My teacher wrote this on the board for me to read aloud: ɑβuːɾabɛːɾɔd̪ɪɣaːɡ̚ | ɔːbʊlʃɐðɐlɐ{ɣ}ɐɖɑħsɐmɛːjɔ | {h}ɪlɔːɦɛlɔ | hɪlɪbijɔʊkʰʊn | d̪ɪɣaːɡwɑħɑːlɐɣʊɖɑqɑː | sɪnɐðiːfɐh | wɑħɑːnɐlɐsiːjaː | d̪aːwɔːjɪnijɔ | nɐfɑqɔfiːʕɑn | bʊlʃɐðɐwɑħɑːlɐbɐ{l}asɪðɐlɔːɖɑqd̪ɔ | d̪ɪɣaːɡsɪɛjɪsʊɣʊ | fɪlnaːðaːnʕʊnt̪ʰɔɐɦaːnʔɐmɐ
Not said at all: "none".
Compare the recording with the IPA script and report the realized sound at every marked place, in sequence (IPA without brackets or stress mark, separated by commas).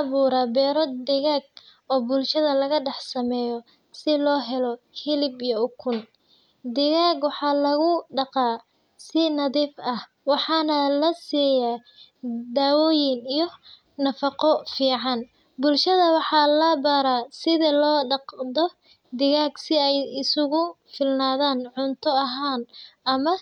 ɣ, s, ɾ